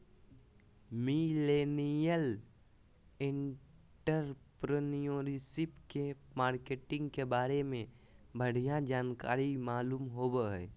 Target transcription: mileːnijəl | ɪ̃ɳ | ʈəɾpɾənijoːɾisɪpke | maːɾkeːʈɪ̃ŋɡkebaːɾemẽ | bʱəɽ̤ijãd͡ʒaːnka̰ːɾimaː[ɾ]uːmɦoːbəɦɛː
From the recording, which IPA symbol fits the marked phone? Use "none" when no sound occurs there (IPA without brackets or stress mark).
l